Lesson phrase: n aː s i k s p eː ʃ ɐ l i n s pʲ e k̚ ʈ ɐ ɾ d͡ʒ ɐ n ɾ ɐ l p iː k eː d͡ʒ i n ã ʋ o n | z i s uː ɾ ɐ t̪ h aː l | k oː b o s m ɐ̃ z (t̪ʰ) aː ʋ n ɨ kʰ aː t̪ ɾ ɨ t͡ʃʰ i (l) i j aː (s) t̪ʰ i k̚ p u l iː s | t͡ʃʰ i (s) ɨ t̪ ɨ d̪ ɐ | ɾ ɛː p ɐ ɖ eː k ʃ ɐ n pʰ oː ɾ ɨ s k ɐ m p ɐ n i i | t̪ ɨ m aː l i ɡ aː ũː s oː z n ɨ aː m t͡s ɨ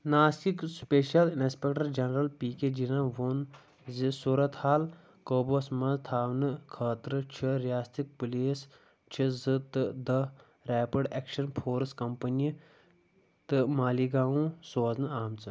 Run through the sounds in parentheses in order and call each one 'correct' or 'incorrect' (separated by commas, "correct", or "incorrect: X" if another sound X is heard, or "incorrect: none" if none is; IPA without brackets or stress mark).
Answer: correct, incorrect: ɾ, correct, incorrect: z